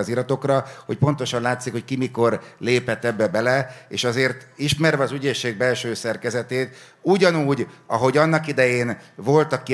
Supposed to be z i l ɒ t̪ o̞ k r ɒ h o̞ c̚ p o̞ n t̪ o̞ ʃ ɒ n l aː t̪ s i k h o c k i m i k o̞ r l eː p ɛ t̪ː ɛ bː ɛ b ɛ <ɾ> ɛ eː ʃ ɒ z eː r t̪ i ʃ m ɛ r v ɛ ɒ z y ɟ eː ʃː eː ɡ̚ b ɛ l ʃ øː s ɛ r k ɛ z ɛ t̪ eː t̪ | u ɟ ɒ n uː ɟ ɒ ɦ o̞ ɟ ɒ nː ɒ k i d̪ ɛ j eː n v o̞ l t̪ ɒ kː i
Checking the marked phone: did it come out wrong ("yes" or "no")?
yes